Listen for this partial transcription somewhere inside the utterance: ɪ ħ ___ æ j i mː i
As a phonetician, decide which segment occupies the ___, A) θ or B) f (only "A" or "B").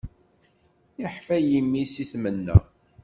B